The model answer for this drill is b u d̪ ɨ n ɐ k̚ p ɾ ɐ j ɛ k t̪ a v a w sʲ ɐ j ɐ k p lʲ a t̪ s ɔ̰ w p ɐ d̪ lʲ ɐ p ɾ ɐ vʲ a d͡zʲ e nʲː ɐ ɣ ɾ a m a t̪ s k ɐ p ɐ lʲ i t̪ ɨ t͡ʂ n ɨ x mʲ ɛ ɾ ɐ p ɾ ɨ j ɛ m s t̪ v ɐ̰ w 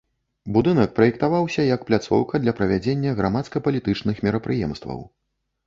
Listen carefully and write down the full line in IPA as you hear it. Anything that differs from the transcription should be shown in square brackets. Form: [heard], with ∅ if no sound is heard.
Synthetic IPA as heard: b u d̪ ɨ n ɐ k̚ p ɾ ɐ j ɛ k t̪ a v a w sʲ ɐ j ɐ k p lʲ a t̪ s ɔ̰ w [k] ɐ d̪ lʲ ɐ p ɾ ɐ vʲ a d͡zʲ e nʲː ɐ ɣ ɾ a m a t̪ s k ɐ p ɐ lʲ i t̪ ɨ t͡ʂ n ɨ x mʲ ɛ ɾ ɐ p ɾ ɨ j ɛ m s t̪ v ɐ̰ w